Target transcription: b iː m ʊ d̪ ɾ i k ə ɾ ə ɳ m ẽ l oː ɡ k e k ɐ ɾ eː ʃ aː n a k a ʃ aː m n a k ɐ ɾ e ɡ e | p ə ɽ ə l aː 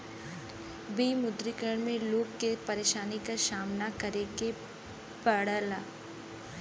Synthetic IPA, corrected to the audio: b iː m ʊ d̪ ɾ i k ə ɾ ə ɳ m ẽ l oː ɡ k e p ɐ ɾ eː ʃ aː n i k a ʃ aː m n a k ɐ ɾ e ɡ e | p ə ɽ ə l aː